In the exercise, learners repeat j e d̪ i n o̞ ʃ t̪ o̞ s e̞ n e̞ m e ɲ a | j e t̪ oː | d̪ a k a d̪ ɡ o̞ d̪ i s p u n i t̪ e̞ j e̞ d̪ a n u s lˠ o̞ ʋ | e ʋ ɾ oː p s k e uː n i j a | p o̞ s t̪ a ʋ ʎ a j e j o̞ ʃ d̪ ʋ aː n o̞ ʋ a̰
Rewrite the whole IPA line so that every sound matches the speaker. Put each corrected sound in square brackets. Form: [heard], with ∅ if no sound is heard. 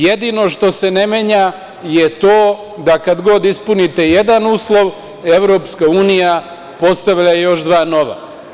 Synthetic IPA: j e d̪ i n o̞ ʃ t̪ o̞ s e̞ n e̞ m e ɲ a | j e t̪ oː | d̪ a k a d̪ ɡ o̞ d̪ i s p u n i t̪ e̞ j e̞ d̪ a n [uː] s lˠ o̞ ʋ | e ʋ ɾ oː p s k [a] uː n i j a | p o̞ s t̪ a ʋ ʎ a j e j o̞ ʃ d̪ ʋ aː n o̞ ʋ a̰